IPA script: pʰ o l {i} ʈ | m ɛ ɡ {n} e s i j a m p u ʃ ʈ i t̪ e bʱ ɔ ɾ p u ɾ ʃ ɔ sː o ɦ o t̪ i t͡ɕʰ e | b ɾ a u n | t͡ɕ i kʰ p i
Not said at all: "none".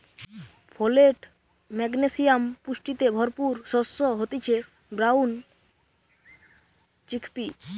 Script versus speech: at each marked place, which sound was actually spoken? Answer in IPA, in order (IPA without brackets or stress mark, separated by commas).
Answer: e, n